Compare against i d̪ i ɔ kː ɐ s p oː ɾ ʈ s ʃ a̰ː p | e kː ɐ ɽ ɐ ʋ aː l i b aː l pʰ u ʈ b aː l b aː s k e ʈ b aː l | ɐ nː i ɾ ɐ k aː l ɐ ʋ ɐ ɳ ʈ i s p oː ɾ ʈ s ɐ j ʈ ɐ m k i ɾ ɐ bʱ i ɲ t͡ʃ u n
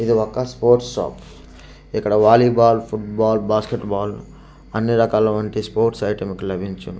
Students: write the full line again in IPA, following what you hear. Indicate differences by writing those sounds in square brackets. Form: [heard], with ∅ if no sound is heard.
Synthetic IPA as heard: i d̪ i ɔ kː ɐ s p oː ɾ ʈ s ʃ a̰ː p | [i] kː ɐ ɽ ɐ ʋ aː l i b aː l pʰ u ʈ b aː l b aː s k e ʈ b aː l | ɐ nː i ɾ ɐ k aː l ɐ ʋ ɐ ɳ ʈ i s p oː ɾ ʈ s ɐ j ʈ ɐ m k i [l] ɐ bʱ i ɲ t͡ʃ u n